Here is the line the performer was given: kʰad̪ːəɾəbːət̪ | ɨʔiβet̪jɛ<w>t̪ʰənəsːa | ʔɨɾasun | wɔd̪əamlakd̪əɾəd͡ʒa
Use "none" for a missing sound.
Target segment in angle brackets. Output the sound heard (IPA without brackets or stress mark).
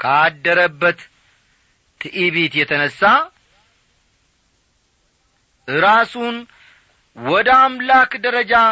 none